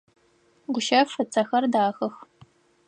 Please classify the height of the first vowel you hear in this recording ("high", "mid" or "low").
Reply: high